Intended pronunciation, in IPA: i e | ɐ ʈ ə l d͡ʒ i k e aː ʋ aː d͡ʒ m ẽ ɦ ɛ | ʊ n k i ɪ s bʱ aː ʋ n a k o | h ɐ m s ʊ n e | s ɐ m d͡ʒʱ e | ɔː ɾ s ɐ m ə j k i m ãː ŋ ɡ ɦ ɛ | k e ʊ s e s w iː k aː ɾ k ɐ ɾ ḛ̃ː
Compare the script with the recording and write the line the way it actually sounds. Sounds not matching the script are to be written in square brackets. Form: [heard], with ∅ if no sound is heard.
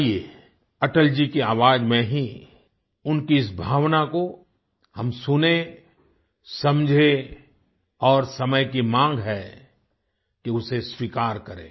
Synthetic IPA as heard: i e | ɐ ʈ ə l d͡ʒ i k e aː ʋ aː d͡ʒ m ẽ ɦ [i] | ʊ n k i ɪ s bʱ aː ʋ n a k o | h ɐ m s ʊ n e | s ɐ m d͡ʒʱ e | ɔː ɾ s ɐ m ə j k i m ãː ŋ ɡ ɦ ɛ | k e ʊ s e s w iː k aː ɾ k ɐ ɾ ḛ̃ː